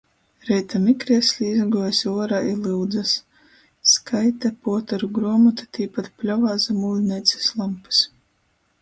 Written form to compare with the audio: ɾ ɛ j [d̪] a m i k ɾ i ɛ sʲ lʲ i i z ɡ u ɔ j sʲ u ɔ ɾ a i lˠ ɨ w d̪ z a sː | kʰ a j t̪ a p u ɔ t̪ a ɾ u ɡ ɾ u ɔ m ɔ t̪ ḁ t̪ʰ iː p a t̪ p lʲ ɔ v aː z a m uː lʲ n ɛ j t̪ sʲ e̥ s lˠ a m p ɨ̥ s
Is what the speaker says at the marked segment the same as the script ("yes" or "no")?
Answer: no